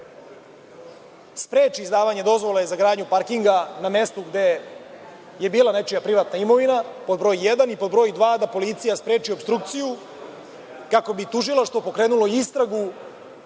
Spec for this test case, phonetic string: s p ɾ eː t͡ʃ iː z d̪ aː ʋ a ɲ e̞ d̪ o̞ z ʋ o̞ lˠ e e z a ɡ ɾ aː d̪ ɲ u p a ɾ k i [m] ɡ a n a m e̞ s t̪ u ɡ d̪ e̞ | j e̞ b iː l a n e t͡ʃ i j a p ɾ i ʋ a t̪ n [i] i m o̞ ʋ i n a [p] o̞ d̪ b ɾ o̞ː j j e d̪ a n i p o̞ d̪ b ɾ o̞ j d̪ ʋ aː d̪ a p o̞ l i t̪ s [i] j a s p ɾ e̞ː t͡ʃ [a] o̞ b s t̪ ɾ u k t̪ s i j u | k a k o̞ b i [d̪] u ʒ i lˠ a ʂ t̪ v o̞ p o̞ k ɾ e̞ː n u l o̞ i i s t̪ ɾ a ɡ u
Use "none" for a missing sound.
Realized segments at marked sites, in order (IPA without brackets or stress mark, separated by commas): ŋ, a, p, i, i, t̪